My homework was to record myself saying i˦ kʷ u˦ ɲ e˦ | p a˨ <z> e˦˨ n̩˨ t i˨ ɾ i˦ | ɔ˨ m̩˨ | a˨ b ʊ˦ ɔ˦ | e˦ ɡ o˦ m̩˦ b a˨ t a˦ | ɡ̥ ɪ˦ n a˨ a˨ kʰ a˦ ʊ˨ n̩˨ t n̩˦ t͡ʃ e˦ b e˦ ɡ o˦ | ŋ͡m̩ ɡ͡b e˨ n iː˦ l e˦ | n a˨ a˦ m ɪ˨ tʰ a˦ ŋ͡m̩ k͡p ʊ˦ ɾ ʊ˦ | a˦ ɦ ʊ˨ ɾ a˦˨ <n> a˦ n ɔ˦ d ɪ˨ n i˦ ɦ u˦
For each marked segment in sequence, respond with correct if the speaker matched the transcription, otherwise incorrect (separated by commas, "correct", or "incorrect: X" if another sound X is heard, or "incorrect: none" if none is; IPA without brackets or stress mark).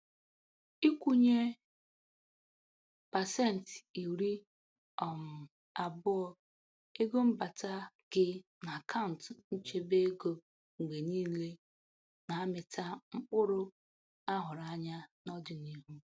incorrect: s, incorrect: ɲ